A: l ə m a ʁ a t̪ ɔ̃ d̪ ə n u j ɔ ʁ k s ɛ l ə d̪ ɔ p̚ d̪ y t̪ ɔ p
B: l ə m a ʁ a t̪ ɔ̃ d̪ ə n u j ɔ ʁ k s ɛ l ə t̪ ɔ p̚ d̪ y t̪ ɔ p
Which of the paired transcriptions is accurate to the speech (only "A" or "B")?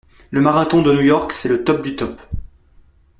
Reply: B